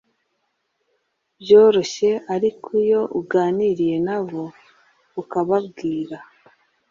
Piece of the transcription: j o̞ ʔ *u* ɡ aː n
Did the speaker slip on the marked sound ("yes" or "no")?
no